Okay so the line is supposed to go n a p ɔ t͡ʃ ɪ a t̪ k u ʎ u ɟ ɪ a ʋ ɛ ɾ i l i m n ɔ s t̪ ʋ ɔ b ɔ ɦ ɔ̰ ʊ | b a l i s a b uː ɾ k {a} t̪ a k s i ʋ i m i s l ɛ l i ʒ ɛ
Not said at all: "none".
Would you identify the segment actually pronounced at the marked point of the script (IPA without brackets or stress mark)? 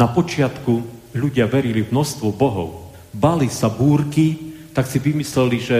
i